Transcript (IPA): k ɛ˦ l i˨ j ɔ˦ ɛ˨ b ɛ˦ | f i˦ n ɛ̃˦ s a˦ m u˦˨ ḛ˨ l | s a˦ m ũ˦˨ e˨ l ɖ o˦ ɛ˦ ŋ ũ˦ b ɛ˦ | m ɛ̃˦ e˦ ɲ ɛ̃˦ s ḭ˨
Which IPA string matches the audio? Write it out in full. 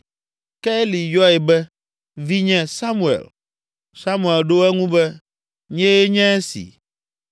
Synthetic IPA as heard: k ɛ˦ l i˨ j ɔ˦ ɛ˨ b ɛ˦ | v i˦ ɲ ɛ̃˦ s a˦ m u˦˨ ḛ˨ l | s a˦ m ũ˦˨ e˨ l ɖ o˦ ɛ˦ ŋ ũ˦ b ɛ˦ | ɲ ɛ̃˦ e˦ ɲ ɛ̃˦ s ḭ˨